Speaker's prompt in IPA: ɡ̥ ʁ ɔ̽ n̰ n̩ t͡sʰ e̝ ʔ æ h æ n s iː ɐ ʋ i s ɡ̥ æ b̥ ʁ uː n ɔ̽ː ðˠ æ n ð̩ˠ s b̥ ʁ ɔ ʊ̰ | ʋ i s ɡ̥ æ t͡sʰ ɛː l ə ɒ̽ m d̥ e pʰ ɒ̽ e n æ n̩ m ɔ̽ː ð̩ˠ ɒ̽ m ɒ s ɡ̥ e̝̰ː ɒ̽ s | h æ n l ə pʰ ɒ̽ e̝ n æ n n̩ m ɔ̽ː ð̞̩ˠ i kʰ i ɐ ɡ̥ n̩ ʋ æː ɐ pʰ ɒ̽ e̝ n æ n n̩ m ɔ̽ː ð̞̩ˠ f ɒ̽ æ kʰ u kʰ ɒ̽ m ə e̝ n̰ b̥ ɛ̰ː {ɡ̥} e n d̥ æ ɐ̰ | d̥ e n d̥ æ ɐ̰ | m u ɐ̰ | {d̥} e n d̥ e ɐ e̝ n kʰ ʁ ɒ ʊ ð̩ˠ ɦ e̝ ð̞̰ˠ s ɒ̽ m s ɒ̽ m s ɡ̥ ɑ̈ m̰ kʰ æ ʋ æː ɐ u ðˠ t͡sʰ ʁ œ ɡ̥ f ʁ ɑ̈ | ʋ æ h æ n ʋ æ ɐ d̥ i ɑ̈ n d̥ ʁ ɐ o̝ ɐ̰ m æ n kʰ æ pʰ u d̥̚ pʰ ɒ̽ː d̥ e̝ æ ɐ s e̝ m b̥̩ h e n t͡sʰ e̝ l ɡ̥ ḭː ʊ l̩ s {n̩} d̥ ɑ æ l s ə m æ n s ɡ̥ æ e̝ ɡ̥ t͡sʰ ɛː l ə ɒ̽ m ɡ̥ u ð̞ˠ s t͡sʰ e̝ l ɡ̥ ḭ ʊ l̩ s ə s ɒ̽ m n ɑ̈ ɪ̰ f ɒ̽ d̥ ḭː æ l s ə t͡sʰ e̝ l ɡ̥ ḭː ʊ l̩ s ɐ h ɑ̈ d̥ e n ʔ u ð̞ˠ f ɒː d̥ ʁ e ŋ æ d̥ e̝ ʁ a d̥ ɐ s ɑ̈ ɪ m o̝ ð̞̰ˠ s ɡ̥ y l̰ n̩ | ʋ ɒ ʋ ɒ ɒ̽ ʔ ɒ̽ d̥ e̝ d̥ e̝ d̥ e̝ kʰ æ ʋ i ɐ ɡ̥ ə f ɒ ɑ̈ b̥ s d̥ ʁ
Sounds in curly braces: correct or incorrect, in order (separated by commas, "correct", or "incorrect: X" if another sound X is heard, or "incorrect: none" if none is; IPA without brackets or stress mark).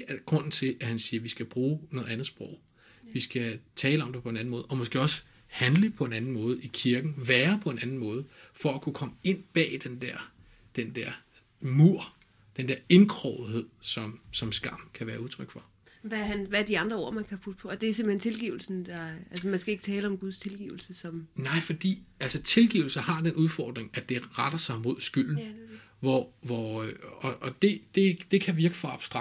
incorrect: d̥, correct, correct